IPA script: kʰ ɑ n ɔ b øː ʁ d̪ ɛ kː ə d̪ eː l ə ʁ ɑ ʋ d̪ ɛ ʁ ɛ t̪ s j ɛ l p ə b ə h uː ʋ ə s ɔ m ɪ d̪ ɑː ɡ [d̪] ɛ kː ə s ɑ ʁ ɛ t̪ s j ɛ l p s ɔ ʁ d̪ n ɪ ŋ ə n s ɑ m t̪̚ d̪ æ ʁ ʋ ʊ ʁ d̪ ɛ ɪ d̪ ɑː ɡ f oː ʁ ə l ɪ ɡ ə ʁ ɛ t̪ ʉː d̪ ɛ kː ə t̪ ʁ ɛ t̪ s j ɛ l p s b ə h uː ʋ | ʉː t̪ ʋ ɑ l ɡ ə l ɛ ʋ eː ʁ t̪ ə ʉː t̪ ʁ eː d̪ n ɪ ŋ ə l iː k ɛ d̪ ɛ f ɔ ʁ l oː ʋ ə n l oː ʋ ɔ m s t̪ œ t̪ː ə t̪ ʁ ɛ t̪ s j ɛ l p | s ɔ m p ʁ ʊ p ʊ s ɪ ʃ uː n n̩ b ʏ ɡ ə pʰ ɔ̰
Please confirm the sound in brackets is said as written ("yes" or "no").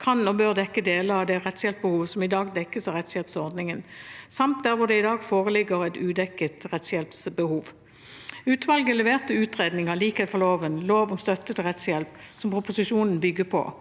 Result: yes